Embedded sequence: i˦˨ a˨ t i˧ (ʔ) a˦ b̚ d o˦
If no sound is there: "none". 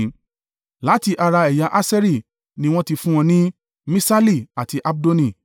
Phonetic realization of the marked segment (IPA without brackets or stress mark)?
ʔ